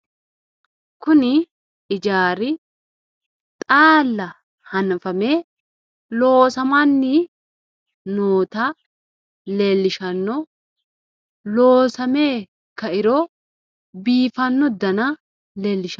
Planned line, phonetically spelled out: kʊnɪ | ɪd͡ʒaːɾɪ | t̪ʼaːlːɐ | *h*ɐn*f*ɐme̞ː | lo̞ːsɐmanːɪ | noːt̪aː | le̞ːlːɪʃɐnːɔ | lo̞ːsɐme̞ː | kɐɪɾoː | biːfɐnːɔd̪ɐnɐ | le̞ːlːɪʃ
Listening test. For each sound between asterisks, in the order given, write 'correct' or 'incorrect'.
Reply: correct, correct

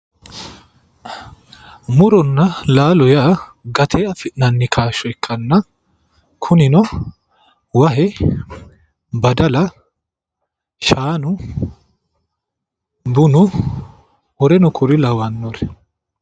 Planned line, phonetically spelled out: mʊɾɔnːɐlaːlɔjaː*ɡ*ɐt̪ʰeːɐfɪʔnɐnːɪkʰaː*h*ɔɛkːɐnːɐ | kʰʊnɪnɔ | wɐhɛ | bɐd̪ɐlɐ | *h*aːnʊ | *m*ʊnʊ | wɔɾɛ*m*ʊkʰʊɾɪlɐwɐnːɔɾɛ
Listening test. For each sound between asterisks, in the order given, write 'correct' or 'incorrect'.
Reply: correct, incorrect, incorrect, incorrect, incorrect

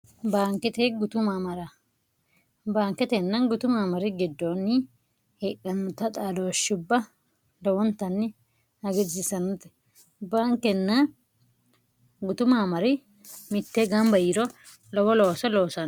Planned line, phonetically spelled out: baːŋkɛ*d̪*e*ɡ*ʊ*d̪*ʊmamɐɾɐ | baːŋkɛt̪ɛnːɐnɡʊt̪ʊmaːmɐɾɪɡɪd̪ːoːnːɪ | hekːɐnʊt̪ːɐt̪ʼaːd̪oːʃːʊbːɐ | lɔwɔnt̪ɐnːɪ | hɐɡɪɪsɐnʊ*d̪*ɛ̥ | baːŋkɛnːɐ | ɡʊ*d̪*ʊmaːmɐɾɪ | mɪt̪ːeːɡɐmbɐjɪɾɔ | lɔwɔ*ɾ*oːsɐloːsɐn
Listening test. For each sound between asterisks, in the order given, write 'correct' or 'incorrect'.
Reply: incorrect, correct, incorrect, incorrect, incorrect, incorrect

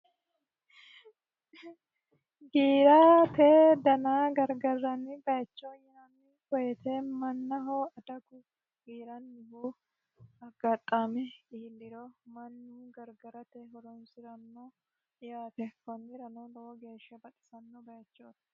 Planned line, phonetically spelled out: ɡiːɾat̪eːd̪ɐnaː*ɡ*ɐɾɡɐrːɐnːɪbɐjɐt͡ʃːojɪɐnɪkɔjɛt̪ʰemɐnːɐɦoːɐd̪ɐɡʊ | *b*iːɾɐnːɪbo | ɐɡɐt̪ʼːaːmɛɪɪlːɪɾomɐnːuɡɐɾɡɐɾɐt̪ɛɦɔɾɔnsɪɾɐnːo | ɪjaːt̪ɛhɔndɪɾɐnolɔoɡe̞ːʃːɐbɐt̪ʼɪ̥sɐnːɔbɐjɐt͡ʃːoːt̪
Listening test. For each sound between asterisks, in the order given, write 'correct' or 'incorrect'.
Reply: correct, incorrect

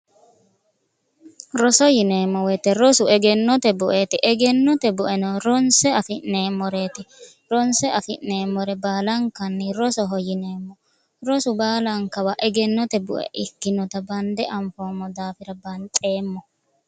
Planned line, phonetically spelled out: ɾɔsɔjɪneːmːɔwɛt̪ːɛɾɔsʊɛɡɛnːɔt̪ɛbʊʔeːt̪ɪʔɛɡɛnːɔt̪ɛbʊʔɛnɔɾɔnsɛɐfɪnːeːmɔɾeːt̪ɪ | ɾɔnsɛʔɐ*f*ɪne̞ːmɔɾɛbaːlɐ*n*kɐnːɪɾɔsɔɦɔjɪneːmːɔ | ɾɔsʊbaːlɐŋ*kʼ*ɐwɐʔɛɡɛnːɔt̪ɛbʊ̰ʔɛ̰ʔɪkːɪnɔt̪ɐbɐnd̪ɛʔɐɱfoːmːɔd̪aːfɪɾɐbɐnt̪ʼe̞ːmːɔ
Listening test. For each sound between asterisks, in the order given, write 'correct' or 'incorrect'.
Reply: correct, incorrect, incorrect

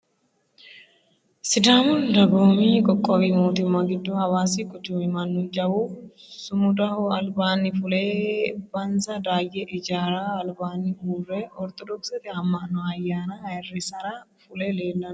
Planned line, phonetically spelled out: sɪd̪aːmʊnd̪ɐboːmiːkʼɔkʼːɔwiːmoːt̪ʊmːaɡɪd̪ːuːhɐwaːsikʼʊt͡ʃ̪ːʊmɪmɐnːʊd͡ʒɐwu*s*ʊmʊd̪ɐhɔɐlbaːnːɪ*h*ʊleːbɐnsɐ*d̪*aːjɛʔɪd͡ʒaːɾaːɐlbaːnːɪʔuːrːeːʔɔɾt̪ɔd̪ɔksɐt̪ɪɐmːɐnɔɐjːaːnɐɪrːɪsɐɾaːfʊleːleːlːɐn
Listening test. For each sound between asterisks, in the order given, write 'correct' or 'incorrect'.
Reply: correct, incorrect, correct

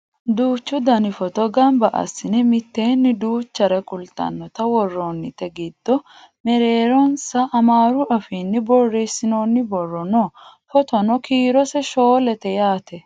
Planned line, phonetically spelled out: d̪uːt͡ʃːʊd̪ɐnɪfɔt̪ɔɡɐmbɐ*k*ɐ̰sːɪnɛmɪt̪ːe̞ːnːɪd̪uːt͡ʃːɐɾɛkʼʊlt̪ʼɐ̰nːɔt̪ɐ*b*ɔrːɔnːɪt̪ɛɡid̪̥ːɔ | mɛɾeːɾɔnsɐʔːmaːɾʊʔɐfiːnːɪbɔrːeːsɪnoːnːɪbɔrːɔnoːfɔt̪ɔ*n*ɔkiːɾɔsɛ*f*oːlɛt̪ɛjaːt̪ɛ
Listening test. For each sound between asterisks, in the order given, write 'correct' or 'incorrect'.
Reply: incorrect, incorrect, correct, incorrect

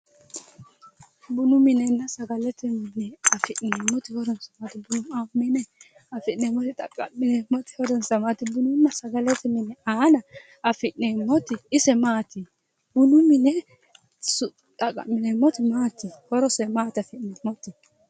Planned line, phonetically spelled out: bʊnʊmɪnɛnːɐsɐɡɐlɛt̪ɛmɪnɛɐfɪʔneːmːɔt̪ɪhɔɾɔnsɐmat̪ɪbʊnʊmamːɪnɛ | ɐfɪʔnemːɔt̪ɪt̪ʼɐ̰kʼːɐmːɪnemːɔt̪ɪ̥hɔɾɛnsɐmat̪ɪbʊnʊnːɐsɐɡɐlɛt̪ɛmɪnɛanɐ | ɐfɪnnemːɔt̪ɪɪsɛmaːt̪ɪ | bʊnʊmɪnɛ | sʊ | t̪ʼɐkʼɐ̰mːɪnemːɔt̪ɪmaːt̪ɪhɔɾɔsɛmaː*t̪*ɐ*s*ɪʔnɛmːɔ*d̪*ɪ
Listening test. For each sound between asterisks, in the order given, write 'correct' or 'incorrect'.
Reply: correct, incorrect, incorrect

